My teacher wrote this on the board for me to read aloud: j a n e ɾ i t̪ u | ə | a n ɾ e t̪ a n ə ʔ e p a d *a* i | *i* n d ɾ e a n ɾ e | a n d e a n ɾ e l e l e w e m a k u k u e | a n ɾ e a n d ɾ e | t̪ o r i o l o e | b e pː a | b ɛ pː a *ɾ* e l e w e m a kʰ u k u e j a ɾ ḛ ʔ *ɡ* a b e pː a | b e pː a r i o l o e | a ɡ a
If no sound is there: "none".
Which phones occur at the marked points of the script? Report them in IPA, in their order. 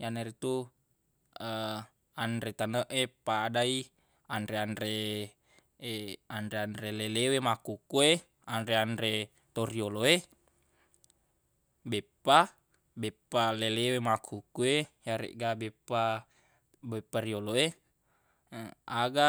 a, a, l, ɡ

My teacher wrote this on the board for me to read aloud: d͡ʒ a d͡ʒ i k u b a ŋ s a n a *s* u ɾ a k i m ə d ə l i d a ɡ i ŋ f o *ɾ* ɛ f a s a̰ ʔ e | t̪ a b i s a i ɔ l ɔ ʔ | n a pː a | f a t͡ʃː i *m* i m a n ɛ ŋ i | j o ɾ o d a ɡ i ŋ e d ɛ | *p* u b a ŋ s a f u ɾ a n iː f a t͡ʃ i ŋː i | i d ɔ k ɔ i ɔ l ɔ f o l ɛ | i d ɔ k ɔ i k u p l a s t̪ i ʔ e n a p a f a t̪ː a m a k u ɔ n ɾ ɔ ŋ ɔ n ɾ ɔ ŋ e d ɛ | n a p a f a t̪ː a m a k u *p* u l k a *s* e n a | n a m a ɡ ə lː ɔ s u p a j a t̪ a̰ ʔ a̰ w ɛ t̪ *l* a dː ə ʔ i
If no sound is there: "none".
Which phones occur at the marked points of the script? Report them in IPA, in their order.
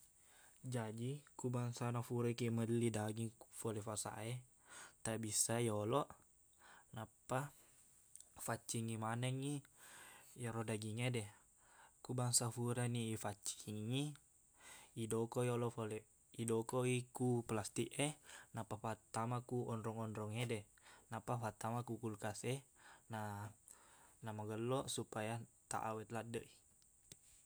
f, l, ŋ, k, k, s, l

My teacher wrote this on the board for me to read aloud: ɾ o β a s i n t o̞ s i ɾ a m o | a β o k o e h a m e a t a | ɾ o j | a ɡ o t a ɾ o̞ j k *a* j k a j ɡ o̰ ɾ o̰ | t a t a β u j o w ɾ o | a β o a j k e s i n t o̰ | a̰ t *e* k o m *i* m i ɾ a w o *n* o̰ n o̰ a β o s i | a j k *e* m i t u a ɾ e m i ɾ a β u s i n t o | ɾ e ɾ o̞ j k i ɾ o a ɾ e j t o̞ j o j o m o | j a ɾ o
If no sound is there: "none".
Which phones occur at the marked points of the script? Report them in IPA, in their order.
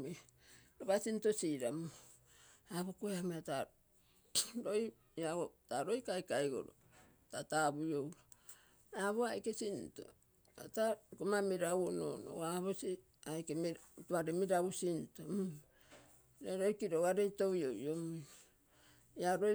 a, a, a, n, e

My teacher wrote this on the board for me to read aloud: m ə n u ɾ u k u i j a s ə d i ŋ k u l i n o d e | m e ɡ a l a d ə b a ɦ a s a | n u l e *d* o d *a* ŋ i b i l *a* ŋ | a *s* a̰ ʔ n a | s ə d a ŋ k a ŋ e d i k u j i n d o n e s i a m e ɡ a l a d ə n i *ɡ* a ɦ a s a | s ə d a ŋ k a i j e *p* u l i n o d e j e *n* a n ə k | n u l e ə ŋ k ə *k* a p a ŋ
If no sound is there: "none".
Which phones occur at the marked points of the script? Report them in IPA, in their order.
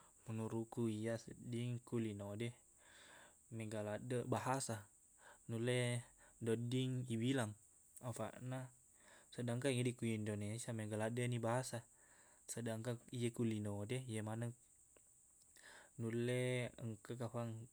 d, i, a, f, b, k, m, k

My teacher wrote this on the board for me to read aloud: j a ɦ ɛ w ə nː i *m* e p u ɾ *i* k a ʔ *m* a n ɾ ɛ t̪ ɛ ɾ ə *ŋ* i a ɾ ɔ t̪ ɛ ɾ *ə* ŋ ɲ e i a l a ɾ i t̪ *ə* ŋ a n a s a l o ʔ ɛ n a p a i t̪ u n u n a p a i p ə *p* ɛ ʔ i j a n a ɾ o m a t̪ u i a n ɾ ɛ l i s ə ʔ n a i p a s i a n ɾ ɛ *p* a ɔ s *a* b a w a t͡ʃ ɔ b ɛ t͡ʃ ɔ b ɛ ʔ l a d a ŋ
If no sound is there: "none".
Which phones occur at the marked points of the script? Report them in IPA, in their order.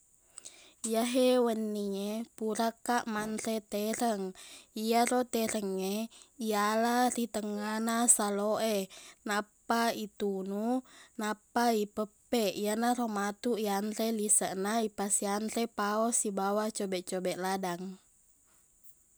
ɲ, a, m, ŋ, ə, ə, p, p, i

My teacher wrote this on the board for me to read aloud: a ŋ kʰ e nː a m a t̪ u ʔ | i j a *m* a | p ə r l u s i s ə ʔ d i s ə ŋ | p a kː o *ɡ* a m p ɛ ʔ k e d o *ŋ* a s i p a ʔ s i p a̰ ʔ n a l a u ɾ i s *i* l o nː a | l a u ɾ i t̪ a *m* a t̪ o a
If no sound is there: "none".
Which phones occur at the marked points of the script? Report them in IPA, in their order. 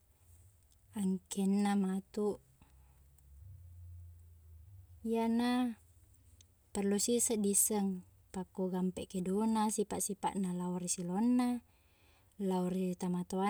n, ɡ, n, i, m

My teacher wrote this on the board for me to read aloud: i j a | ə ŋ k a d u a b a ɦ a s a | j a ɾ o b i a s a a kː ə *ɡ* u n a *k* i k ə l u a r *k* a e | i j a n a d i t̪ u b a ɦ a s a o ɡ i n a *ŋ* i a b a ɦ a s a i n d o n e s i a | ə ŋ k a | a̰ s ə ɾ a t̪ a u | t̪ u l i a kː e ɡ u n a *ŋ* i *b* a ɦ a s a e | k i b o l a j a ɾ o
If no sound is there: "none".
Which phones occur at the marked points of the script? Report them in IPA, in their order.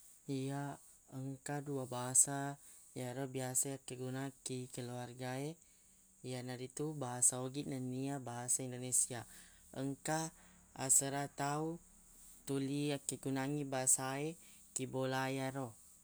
ɡ, k, ɡ, n, ŋ, b

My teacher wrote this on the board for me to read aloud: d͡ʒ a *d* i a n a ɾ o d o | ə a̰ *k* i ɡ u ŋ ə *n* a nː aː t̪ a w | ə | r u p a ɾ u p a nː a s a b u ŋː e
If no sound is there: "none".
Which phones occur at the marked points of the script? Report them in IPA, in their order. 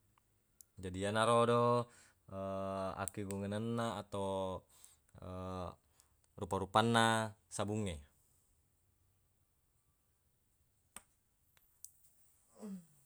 d, k, n

